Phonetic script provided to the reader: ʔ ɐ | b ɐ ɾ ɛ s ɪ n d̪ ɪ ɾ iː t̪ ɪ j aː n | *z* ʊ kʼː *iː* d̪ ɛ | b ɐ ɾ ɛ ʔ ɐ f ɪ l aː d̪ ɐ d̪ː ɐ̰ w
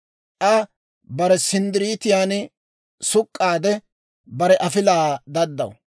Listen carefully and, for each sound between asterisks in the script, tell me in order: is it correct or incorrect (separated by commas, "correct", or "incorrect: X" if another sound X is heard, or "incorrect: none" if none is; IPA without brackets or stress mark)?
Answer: incorrect: s, incorrect: aː